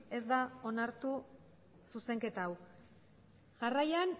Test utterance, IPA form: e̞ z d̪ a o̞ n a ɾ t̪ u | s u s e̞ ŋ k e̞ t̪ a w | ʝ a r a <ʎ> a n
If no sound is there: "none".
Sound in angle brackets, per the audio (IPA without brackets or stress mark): j